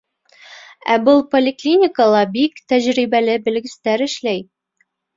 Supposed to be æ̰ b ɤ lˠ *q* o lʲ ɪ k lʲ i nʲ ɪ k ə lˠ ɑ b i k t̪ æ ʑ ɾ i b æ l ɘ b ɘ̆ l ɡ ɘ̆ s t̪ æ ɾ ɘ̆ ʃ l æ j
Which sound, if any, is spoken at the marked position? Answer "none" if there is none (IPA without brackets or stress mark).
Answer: p